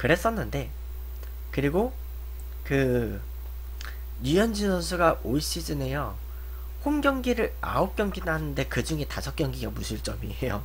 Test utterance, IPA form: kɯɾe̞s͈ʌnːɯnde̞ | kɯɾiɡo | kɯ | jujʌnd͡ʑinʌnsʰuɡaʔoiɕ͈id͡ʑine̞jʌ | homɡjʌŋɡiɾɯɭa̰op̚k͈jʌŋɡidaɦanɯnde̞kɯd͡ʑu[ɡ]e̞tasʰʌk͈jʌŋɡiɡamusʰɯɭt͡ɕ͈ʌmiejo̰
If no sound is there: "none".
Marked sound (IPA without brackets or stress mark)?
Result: ŋ